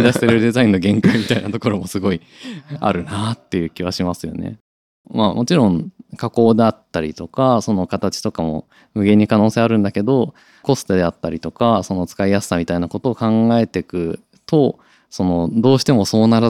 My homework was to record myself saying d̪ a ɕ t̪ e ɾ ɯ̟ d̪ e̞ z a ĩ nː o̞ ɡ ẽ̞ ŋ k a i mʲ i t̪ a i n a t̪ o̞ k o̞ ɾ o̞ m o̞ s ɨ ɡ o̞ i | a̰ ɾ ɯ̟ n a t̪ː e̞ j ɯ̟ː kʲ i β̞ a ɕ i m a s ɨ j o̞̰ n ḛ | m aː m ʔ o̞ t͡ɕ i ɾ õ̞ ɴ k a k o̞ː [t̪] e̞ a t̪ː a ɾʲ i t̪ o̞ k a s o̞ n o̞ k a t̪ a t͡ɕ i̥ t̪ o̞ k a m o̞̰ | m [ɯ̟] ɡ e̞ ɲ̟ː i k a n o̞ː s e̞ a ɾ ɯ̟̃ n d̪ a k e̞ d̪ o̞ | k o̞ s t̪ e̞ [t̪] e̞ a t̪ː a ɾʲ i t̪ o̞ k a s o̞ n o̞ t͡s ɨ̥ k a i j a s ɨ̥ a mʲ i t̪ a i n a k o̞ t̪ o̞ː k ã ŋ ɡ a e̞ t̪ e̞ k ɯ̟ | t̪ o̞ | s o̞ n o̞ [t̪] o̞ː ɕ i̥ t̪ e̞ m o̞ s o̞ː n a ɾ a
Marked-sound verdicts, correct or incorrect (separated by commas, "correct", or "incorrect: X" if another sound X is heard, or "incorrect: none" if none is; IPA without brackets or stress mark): incorrect: d̪, correct, incorrect: d̪, incorrect: d̪